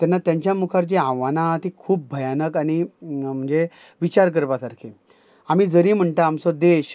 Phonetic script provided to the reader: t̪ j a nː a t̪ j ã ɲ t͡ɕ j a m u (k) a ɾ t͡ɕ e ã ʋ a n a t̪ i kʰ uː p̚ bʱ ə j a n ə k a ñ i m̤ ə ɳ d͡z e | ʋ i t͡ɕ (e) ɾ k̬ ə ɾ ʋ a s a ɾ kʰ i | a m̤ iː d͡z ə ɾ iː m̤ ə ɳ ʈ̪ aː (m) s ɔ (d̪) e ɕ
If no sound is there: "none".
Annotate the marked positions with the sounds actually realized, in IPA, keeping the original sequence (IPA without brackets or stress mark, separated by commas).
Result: kʰ, a, m, d̪